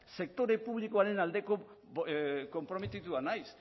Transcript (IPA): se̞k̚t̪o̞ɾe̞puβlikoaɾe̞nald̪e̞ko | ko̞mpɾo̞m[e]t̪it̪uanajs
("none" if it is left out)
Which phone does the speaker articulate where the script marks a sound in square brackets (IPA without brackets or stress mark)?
e